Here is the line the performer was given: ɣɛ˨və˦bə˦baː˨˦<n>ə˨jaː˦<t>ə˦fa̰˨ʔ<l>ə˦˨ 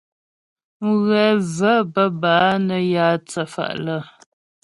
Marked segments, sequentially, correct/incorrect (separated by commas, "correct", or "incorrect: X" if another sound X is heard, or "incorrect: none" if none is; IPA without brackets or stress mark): correct, incorrect: t͡s, correct